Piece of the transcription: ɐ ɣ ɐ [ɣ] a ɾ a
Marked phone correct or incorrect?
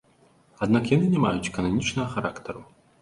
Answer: incorrect